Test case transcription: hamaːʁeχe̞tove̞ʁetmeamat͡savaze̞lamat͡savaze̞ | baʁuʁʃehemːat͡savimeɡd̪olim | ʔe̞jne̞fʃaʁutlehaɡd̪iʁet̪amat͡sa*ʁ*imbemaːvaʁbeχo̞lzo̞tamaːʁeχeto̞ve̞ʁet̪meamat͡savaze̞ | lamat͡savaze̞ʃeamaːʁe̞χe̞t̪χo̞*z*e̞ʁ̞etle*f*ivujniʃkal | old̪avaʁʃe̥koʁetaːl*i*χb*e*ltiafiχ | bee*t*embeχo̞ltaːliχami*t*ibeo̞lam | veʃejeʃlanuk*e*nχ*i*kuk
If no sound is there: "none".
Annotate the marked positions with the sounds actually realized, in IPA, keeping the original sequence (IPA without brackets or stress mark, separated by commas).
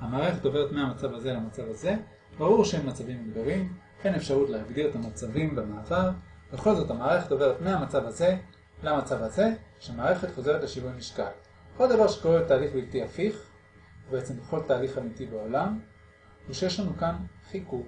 v, z, ʃ, i, i, t͡s, t, a, i